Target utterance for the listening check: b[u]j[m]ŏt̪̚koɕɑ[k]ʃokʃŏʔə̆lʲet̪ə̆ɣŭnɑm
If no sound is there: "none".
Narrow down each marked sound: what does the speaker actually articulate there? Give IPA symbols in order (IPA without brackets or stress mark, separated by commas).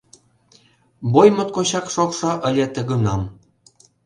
o, m, k